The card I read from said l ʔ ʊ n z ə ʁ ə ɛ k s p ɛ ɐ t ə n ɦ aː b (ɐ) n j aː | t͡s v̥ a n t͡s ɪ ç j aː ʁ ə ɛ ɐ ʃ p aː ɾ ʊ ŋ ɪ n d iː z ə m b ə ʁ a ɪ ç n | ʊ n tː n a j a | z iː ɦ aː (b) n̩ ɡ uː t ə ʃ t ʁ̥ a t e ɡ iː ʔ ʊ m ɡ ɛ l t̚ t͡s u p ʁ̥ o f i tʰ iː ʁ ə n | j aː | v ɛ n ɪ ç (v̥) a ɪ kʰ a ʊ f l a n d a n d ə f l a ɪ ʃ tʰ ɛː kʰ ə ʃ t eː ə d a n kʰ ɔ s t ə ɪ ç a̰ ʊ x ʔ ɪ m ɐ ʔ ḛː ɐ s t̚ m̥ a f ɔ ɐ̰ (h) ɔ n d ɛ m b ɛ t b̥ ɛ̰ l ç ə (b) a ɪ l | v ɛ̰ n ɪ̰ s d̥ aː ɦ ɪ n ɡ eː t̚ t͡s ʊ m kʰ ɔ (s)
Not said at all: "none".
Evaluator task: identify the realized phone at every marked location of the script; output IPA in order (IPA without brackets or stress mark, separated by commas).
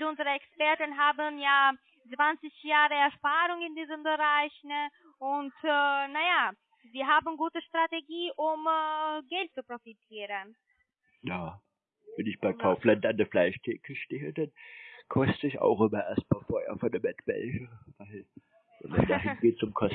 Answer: ə, b, b̥, f, v, s